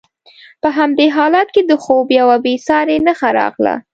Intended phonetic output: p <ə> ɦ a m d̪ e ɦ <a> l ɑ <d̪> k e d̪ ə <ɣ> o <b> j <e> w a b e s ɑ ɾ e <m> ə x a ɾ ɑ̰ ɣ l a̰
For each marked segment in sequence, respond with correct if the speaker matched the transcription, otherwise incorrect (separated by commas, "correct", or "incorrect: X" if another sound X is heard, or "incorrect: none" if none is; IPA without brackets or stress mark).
correct, incorrect: ɑ, incorrect: t̪, incorrect: x, correct, incorrect: a, incorrect: n